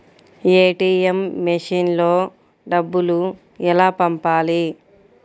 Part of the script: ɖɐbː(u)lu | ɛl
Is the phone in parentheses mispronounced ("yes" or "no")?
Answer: no